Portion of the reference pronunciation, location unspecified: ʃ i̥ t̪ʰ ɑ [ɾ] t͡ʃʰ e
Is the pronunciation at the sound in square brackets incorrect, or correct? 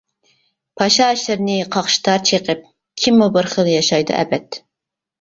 correct